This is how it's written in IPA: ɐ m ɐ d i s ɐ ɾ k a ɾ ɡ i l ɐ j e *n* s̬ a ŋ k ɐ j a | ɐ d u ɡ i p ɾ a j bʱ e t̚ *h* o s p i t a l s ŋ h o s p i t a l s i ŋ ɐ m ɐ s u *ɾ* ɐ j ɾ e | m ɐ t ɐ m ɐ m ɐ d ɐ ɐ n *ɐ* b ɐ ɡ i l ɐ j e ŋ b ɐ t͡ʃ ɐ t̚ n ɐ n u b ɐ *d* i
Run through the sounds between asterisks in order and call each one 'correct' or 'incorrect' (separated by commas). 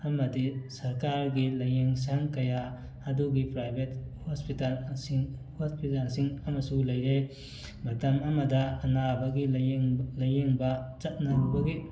incorrect, correct, incorrect, incorrect, incorrect